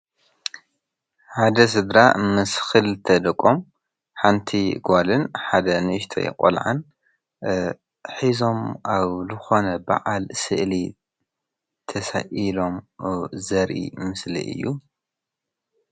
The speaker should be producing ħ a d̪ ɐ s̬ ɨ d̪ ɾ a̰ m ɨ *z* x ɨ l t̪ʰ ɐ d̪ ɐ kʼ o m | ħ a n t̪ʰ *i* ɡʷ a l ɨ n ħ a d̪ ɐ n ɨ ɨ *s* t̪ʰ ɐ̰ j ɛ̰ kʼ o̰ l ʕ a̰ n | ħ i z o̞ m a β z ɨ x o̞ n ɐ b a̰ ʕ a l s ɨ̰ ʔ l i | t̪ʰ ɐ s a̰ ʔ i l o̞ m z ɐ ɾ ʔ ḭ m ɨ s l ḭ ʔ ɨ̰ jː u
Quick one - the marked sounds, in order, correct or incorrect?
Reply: incorrect, correct, incorrect

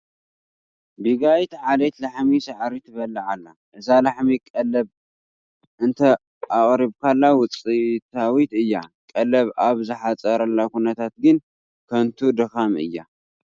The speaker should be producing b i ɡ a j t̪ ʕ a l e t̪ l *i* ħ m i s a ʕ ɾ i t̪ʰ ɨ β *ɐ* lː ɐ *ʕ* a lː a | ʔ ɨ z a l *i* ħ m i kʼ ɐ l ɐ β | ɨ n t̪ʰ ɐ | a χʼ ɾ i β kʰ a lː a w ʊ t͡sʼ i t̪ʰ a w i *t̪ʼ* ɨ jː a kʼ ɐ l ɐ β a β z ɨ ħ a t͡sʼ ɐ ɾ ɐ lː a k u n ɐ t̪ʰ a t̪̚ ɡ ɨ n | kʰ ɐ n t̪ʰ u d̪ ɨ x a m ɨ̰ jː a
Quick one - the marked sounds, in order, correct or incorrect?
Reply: incorrect, correct, correct, incorrect, incorrect

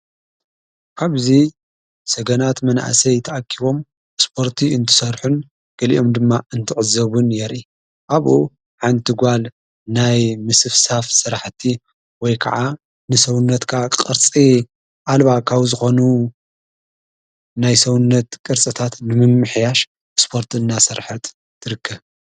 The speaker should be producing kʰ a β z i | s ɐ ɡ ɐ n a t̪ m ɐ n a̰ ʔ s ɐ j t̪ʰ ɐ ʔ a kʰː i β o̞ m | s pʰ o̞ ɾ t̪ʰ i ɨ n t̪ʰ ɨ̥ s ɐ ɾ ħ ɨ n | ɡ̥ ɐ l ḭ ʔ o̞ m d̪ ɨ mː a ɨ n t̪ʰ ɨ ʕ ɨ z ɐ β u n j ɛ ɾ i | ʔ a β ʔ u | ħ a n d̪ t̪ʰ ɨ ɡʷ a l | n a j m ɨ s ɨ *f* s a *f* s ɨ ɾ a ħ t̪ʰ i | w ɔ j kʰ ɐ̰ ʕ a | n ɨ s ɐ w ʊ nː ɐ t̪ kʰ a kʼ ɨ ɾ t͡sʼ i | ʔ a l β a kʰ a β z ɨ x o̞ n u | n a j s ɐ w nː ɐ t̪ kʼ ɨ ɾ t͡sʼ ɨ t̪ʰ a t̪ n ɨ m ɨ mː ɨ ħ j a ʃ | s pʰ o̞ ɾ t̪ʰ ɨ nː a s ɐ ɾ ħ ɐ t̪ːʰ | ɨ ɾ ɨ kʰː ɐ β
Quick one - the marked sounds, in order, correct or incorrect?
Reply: correct, correct

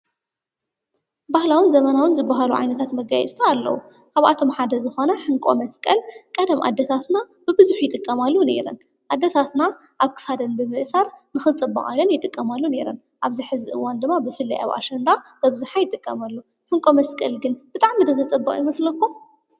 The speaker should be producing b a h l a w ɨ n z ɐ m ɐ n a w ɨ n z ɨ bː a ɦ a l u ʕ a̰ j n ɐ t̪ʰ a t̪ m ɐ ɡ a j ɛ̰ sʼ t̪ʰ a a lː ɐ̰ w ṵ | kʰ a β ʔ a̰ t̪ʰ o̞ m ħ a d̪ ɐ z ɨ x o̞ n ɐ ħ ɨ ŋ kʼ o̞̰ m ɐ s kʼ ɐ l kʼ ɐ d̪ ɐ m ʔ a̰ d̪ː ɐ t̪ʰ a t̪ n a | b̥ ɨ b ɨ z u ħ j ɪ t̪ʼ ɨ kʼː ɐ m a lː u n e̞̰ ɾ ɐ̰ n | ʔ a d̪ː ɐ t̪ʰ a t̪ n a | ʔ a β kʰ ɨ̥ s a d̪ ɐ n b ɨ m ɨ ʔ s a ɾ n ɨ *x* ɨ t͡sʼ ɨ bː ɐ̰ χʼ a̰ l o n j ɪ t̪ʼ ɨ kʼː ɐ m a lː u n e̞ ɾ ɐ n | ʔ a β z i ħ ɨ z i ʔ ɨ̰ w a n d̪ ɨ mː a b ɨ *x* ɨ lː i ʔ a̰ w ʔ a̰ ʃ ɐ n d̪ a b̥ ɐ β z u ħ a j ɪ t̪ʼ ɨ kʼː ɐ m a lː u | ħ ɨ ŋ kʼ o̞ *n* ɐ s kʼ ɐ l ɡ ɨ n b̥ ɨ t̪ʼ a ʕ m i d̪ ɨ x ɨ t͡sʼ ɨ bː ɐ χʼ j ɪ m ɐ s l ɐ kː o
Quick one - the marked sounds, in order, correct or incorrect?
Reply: correct, incorrect, incorrect

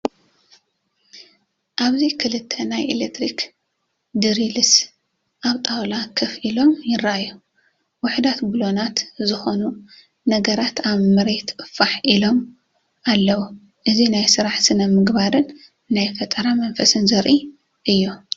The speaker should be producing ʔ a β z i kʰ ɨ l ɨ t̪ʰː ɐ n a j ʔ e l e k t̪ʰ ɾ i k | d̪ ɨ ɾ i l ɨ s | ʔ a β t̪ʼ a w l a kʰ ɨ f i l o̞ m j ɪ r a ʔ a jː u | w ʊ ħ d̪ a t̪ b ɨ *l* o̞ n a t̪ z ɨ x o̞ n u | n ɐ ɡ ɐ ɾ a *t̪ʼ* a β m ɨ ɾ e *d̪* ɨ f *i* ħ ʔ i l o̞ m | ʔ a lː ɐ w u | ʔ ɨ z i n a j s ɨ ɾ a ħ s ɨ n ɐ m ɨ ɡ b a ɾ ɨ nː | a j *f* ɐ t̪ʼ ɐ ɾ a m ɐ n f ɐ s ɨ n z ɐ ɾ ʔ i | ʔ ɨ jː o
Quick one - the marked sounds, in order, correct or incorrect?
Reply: correct, incorrect, incorrect, incorrect, correct

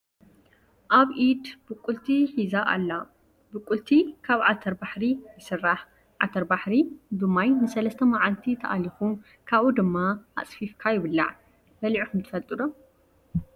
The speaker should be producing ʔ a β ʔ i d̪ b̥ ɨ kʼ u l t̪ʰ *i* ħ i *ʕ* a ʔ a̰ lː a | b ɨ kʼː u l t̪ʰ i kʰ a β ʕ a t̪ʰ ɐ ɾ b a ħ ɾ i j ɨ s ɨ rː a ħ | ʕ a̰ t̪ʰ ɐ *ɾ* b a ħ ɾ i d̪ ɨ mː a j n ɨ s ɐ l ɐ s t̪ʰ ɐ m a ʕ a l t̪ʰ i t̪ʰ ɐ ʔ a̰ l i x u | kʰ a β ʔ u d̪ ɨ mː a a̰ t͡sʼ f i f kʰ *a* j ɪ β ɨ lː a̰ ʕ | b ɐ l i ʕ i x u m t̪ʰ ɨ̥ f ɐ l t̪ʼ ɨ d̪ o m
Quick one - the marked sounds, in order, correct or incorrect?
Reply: correct, incorrect, correct, correct

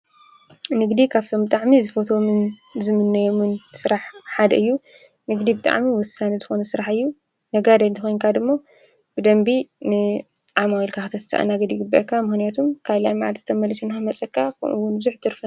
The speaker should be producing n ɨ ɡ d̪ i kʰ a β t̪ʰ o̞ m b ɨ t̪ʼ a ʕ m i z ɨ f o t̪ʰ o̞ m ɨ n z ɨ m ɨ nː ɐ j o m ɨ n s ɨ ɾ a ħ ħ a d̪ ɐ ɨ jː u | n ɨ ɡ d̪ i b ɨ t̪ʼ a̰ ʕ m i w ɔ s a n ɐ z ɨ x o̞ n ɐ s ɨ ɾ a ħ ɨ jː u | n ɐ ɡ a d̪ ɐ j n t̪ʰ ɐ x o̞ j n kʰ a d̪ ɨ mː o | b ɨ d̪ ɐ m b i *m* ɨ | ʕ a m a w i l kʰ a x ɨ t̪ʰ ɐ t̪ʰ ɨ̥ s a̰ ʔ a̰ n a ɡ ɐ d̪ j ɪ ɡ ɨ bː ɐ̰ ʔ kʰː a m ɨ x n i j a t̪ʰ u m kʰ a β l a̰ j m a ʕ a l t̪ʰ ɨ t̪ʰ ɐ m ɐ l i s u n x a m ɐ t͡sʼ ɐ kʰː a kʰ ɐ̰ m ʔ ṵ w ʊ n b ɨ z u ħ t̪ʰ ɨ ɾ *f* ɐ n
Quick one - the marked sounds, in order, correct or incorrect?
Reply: incorrect, correct

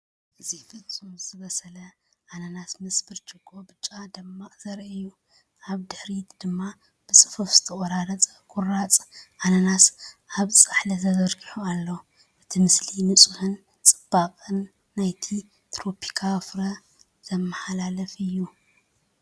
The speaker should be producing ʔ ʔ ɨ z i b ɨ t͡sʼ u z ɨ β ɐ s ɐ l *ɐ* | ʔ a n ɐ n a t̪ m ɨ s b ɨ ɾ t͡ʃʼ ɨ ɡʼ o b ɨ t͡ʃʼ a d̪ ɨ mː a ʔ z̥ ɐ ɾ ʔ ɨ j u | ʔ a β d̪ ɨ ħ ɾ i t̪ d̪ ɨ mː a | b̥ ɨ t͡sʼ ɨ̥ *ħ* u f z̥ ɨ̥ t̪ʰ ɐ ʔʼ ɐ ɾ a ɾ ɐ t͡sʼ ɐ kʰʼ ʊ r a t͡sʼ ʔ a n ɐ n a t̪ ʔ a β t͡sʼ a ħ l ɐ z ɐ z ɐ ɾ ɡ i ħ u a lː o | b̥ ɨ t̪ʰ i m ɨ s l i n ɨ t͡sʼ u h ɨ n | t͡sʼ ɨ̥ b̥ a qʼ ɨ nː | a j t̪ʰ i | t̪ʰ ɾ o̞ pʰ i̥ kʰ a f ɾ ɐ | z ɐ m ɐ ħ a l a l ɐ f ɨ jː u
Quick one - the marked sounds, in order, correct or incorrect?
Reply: correct, incorrect

